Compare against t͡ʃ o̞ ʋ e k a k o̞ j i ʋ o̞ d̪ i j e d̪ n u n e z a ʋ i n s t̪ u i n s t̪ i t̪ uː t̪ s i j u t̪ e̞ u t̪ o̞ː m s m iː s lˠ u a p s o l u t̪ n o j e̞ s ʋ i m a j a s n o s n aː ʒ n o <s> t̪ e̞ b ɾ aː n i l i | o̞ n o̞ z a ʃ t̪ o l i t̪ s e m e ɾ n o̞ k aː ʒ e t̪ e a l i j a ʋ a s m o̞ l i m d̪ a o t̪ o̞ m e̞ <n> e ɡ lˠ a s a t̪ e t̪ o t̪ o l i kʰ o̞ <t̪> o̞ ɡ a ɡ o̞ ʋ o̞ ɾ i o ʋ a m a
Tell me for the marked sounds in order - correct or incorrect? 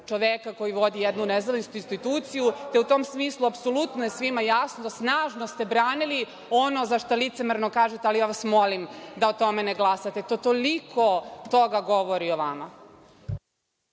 correct, correct, correct

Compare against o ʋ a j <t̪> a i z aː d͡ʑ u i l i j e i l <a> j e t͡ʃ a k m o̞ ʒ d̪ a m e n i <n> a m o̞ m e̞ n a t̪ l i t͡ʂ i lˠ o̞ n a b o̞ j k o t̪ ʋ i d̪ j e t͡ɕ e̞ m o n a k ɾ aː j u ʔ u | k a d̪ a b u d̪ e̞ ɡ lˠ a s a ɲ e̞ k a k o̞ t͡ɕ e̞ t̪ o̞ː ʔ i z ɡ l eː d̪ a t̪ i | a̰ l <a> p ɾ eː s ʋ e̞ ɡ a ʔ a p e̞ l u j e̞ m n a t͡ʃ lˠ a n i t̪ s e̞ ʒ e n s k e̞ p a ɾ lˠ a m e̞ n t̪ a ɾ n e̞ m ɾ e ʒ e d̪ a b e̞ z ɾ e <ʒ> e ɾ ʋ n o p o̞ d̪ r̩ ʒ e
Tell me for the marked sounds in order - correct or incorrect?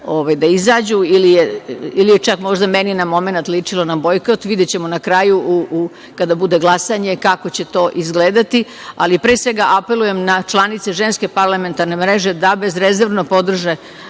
incorrect: d̪, incorrect: i, correct, incorrect: i, incorrect: z

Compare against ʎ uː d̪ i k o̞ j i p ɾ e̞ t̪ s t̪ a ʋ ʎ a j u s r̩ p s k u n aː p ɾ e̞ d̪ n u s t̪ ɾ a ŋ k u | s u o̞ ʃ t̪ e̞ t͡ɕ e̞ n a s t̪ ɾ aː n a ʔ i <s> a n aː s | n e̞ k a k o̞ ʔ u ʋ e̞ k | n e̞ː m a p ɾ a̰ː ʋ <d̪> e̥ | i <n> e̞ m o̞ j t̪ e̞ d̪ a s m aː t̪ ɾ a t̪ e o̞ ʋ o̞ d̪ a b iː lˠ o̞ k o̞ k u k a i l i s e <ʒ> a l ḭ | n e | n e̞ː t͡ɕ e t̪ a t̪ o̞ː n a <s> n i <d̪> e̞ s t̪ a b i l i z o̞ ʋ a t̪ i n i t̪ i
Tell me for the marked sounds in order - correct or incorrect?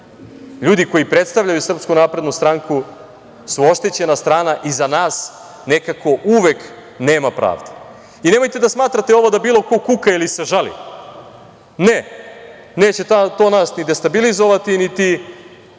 incorrect: z, correct, correct, correct, correct, correct

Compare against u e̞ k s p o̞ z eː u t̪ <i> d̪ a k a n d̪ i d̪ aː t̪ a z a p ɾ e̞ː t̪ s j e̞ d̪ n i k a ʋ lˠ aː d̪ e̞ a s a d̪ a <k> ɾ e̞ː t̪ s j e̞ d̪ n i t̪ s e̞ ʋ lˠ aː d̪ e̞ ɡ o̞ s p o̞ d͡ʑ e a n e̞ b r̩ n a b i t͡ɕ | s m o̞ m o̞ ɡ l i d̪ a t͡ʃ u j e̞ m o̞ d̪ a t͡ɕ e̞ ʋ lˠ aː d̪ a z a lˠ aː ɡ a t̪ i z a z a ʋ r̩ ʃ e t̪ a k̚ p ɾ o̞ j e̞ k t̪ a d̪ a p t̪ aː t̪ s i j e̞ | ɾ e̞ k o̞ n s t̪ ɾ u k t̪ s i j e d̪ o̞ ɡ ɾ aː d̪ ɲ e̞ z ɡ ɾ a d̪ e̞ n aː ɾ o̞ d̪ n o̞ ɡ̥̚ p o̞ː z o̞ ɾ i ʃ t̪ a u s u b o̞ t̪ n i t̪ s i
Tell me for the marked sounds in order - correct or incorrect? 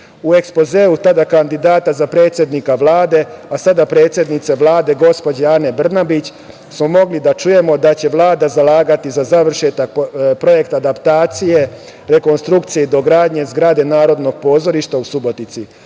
incorrect: a, incorrect: p

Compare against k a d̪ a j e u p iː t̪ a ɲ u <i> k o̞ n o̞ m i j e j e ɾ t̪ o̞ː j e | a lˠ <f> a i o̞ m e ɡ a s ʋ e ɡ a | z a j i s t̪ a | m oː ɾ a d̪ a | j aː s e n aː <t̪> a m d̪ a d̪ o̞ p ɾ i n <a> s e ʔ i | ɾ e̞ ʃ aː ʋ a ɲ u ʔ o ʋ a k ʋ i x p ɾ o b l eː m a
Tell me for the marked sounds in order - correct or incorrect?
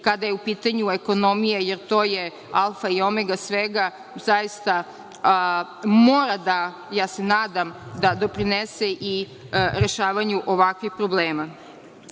incorrect: e, correct, incorrect: d̪, incorrect: e

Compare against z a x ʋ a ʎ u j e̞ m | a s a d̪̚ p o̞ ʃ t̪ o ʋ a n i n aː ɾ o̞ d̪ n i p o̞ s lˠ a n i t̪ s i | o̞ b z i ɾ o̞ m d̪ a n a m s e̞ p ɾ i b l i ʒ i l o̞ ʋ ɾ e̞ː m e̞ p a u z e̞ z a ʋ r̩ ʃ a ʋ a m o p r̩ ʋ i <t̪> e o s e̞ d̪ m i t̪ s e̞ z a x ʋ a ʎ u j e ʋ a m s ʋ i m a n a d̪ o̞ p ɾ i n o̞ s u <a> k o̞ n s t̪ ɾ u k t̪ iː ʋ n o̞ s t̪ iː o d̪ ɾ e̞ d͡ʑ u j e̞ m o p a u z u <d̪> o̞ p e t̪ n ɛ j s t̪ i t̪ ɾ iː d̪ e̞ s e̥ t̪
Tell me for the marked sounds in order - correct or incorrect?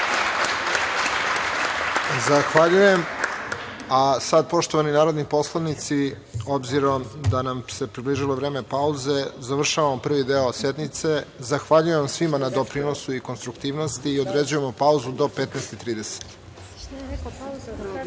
incorrect: d̪, incorrect: i, correct

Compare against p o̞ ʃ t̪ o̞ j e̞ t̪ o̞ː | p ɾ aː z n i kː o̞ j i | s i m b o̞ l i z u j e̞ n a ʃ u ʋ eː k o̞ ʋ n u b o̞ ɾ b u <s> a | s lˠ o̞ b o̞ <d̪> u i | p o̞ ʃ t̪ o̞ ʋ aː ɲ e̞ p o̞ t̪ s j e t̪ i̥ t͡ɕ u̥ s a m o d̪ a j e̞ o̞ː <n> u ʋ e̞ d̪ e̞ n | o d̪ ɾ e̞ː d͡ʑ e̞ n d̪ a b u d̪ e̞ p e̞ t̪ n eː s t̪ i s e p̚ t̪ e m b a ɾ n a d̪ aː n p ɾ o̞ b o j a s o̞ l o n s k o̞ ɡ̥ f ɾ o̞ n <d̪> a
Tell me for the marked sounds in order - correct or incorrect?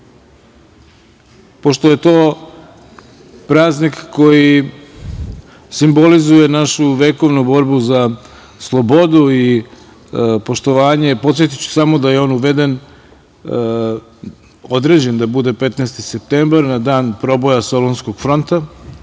incorrect: z, correct, correct, incorrect: t̪

